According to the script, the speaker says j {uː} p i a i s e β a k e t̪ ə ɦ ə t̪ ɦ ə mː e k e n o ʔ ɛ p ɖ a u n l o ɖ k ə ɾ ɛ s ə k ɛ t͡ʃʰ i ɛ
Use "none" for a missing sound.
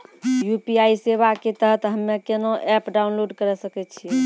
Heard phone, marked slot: u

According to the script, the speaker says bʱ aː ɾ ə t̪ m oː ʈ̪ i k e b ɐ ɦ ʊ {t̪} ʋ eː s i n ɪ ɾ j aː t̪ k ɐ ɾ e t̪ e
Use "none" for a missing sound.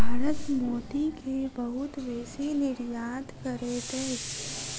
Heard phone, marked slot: t̪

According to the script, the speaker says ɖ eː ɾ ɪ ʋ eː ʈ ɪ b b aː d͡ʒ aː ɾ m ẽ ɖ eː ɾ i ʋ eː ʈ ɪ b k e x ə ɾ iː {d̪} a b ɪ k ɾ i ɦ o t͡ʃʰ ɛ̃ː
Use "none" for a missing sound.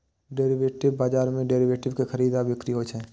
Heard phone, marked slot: d̪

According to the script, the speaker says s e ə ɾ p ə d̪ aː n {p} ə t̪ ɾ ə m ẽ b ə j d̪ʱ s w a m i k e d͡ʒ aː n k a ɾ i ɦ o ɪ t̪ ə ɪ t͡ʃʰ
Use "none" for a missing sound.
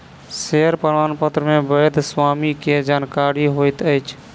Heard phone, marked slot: p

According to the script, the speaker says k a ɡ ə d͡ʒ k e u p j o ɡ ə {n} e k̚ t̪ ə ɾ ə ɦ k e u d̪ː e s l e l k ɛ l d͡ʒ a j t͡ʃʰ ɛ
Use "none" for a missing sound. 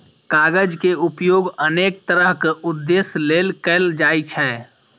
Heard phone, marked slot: n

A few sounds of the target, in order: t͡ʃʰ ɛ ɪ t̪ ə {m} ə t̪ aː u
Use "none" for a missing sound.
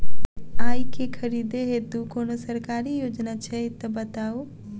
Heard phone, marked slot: b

